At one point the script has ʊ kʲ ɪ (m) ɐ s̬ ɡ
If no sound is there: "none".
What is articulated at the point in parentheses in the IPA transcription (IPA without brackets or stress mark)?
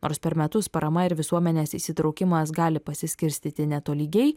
m